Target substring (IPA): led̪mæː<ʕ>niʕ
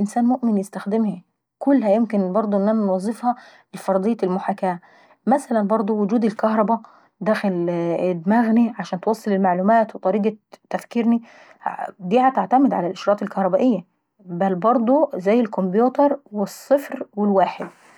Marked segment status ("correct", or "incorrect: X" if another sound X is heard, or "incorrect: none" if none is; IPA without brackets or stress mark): incorrect: ɣ